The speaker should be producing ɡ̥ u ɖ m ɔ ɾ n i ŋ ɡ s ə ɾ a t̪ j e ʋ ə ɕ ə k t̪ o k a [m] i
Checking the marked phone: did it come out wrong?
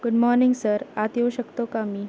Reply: no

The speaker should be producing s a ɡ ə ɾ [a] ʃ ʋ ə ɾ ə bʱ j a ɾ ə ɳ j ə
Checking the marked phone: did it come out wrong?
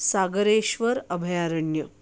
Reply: yes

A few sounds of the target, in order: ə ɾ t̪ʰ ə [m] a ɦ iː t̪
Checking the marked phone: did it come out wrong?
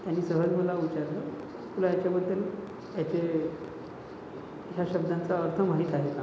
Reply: no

